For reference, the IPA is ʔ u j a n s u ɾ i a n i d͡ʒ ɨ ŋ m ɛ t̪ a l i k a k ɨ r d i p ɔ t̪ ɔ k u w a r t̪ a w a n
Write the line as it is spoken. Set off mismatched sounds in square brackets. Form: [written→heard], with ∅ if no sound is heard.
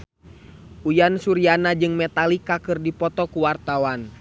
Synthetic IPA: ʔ u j a n s u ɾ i a n [i→a] d͡ʒ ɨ ŋ m ɛ t̪ a l i k a k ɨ r d i p ɔ t̪ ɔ k u w a r t̪ a w a n